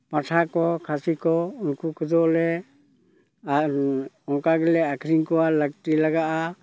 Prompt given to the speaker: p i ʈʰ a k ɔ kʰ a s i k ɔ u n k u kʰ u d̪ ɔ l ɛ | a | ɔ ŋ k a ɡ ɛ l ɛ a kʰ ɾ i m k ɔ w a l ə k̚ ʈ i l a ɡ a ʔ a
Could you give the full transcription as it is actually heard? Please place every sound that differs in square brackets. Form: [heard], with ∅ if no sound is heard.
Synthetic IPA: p [a] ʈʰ a k ɔ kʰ a s i k ɔ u n k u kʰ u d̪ ɔ l ɛ | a | ɔ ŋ k a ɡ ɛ l ɛ a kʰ ɾ i [ŋ] k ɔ w a l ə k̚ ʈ i l a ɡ a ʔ a